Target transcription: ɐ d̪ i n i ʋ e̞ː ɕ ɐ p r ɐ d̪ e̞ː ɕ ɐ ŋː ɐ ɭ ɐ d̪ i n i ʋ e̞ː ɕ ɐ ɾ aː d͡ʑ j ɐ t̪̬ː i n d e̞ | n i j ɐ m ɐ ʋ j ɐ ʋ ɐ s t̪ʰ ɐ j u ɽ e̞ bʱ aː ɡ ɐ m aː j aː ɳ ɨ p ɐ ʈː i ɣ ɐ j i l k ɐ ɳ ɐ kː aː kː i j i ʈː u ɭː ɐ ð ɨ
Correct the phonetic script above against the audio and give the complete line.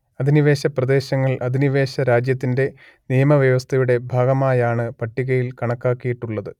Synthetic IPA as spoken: ɐ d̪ i n i ʋ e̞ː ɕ ɐ p r ɐ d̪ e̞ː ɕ ɐ ŋː ɐ ɭ ɐ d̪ i n i ʋ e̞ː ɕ ɐ ɾ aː d͡ʑ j ɐ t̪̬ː i n d e̞ | n i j ɐ m ɐ ʋ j ɐ ʋ ɐ s t̪ʰ ɐ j u ɽ e̞ bʱ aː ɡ ɐ m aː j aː ɳ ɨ p ɐ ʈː i ɣ ɐ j i l k ɐ ɳ ɐ kː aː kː i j i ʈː u ɭː ɐ ð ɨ